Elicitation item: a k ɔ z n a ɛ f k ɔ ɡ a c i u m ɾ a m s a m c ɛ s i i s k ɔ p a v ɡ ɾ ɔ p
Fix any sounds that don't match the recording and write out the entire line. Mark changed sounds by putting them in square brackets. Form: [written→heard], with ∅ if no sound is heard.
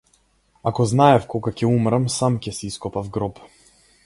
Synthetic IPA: a k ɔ z n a ɛ f k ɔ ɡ a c [i→ɛ] u m ɾ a m s a m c ɛ s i i s k ɔ p a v ɡ ɾ ɔ p